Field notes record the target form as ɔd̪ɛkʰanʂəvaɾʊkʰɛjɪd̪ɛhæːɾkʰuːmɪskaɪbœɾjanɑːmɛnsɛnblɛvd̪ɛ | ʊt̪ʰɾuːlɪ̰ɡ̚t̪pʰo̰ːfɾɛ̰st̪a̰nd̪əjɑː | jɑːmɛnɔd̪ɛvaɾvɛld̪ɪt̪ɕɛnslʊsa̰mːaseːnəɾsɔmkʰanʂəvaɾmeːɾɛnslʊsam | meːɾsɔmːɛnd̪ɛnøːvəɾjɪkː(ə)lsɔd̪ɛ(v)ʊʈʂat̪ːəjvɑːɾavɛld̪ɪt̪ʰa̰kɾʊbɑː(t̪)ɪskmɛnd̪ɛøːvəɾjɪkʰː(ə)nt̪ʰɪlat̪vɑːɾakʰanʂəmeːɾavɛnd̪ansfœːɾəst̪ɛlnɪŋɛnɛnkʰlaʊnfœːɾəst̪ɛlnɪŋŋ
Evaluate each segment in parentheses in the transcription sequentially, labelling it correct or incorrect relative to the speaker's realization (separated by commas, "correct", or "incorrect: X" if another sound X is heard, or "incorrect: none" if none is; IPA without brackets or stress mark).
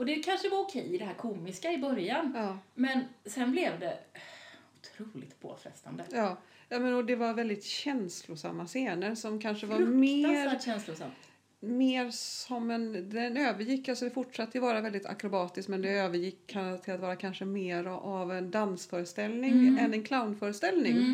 incorrect: a, incorrect: f, correct, incorrect: a